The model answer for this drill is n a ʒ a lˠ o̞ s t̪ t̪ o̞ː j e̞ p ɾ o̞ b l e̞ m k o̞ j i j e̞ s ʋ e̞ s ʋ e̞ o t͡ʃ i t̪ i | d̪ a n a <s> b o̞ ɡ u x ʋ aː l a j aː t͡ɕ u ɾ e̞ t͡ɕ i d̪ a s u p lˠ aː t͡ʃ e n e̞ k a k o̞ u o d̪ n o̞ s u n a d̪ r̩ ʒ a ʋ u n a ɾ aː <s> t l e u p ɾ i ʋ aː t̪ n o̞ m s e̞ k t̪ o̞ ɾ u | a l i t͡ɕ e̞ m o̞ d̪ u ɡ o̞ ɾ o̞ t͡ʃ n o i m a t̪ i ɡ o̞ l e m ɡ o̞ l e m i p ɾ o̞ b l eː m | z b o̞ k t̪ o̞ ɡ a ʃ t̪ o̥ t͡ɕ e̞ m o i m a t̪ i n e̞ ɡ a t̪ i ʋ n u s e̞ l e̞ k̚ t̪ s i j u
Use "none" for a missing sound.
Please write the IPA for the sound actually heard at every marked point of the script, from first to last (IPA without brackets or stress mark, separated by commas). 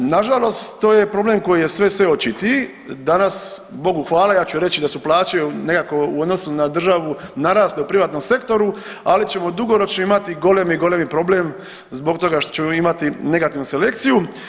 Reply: s, s